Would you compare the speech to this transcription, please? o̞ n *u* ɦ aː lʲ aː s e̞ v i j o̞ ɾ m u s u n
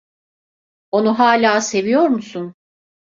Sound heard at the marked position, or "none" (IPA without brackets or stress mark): u